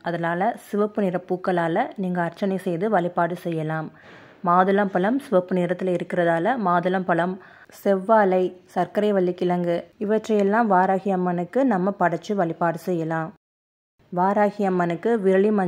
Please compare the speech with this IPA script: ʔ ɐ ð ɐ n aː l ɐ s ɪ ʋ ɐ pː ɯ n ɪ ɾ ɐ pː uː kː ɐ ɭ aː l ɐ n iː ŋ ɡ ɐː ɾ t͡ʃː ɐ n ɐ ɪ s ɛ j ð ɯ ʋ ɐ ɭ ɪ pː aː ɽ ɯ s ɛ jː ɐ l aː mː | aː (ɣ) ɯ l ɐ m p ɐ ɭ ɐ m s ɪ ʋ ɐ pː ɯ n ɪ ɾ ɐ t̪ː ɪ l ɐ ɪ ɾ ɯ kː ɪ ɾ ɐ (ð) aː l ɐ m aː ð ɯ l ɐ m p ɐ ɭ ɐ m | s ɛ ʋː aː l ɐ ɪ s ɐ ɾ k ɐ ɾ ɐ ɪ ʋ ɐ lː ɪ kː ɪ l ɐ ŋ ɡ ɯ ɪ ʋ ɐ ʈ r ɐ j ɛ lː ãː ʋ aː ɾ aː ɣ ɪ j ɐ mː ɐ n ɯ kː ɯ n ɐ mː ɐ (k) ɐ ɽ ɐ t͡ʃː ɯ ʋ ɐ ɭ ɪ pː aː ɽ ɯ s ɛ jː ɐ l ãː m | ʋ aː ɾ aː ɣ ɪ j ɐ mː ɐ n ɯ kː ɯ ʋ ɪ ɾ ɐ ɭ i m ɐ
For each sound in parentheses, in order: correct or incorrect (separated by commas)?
incorrect, correct, incorrect